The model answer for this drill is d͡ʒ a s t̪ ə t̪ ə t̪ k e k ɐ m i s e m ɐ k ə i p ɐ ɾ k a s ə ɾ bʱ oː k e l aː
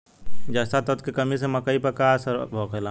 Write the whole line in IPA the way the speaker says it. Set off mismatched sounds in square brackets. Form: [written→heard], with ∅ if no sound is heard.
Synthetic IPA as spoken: d͡ʒ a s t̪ [ə→a] t̪ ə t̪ k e k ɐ m i s e m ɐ k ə i p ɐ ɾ k a s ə ɾ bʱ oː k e l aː